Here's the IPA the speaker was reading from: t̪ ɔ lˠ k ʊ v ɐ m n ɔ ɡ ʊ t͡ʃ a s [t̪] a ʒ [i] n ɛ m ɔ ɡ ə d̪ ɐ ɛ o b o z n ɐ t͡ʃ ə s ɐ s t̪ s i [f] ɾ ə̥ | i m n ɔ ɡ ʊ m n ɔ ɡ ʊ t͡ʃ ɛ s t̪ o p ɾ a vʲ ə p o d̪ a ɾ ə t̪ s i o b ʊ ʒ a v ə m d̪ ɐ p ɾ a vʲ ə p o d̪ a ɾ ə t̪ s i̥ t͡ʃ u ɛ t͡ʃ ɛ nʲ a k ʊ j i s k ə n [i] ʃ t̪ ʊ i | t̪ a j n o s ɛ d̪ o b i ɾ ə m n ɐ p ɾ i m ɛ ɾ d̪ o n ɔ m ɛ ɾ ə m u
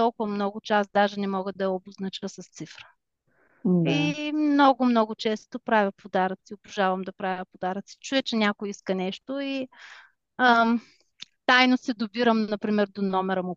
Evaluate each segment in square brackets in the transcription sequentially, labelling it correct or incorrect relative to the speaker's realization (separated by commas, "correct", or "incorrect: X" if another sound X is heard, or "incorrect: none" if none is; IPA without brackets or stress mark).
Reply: incorrect: d̪, incorrect: ɛ, correct, incorrect: ɛ